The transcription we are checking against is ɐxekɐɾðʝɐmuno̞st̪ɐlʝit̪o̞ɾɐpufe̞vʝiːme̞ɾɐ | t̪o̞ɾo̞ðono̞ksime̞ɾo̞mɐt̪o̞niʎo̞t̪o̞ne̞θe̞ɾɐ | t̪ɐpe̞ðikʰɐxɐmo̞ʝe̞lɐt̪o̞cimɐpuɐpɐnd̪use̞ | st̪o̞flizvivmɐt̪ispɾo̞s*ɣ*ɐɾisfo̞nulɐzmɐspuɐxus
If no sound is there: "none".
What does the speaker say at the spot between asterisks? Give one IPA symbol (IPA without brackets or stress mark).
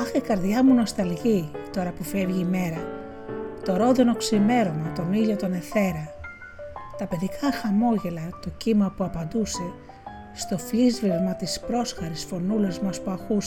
x